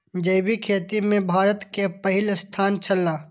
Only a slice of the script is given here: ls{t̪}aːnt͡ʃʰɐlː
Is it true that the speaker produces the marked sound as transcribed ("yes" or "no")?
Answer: no